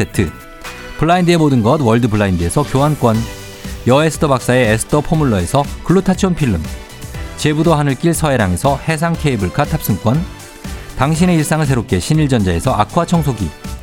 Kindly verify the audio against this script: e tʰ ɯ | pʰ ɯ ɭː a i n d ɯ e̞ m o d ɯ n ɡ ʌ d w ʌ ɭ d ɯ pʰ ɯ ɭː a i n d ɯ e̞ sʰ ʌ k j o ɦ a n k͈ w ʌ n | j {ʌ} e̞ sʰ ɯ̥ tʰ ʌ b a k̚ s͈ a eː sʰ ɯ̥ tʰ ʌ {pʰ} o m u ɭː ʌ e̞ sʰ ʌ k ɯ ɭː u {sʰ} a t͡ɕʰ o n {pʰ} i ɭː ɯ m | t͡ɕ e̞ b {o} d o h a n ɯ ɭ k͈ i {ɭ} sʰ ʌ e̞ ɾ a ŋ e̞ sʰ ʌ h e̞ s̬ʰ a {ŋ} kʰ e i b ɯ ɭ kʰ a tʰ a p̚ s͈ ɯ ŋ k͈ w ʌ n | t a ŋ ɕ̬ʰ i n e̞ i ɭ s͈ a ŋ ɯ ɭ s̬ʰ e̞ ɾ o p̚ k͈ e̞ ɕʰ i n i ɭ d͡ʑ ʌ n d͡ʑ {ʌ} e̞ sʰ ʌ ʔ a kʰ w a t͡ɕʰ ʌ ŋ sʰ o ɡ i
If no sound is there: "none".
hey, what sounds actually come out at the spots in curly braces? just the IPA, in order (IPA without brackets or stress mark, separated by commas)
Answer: ʌ, pʰ, tʰ, pʰ, u, ɭ, ŋ, a